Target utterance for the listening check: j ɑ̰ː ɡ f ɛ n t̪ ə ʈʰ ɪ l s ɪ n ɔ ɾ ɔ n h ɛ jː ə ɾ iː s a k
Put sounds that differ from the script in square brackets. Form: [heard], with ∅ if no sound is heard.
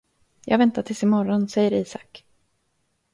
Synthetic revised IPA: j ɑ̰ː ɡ [v] ɛ n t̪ [a] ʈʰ ɪ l s ɪ [m] ɔ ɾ ɔ n [s] ɛ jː ə ɾ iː s a k